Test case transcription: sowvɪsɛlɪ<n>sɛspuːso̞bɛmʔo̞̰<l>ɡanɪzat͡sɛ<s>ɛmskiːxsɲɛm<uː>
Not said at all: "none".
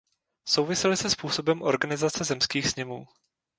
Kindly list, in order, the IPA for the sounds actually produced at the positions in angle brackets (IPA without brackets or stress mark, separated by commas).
none, ɾ, z, uː